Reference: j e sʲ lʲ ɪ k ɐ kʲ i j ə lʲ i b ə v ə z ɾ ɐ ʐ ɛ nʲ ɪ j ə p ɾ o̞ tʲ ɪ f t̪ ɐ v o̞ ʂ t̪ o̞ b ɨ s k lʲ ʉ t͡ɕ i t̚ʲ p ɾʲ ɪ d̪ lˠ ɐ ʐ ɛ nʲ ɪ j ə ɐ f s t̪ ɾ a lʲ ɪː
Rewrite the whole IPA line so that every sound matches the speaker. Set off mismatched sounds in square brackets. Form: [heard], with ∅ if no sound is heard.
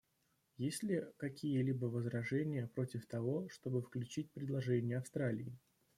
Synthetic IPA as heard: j e sʲ lʲ ɪ k ɐ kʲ i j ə lʲ i b ə v ə z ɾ ɐ ʐ ɛ nʲ ɪ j ə p ɾ o̞ tʲ ɪ f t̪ ɐ v o̞ ʂ t̪ o̞ b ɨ [f] k lʲ ʉ t͡ɕ i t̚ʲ p ɾʲ ɪ d̪ lˠ ɐ ʐ ɛ nʲ ɪ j ə ɐ f s t̪ ɾ a lʲ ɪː